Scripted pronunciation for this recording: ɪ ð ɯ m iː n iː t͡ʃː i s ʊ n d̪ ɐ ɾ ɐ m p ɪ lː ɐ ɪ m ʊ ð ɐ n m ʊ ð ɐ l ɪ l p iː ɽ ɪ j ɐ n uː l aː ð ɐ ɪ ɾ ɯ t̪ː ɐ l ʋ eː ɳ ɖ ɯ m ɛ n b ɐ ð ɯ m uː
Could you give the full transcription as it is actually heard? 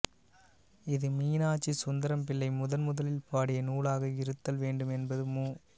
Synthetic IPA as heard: ɪ ð ɯ m iː n aː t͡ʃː i s ʊ n d̪ ɐ ɾ ɐ m p ɪ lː ɐ ɪ m ʊ ð ɐ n m ʊ ð ɐ l ɪ l p aː ɽ ɪ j ɐ n uː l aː ɣ ɐ ɪ ɾ ɯ t̪ː ɐ l ʋ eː ɳ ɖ ɯ m ɛ n b ɐ ð ɯ m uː